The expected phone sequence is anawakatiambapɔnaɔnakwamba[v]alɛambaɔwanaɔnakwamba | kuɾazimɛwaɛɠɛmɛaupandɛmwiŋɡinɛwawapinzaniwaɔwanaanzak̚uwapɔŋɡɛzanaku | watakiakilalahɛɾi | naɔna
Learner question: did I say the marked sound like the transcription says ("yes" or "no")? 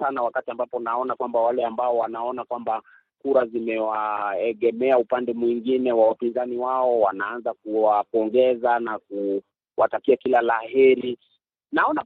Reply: no